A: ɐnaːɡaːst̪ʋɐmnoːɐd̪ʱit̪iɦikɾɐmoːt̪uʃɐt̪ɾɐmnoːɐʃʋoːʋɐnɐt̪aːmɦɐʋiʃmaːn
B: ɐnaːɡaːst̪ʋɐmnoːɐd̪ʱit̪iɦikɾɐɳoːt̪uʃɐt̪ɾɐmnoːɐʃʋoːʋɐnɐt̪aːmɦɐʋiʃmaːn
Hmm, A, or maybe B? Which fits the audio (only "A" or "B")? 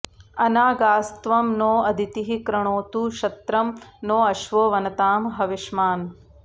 B